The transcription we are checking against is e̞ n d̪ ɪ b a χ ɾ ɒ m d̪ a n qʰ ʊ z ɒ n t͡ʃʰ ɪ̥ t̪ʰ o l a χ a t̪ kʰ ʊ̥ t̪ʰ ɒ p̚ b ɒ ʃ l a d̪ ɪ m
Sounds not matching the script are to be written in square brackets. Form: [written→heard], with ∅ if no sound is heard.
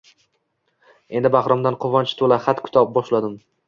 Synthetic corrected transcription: e̞ n d̪ ɪ b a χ ɾ ɒ m d̪ a n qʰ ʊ [z→v] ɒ n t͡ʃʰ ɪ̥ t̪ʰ o l a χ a t̪ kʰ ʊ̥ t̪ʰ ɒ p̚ b ɒ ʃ l a d̪ ɪ m